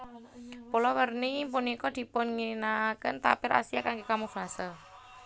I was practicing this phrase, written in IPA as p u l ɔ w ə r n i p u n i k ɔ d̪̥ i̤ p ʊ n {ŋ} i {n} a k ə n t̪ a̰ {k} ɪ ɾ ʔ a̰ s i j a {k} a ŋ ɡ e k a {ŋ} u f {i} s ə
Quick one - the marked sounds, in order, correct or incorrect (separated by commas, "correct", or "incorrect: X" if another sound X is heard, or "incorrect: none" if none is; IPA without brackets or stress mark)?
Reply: correct, correct, incorrect: p, correct, incorrect: m, incorrect: a